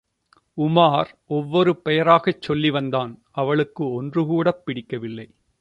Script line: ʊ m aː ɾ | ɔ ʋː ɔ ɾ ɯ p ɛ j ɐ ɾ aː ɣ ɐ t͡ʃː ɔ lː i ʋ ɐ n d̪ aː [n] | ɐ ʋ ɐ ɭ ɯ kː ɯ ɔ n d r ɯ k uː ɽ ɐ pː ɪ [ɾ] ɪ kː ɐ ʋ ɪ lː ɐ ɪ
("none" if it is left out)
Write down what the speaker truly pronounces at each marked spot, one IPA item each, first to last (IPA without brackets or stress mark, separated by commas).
n, ɽ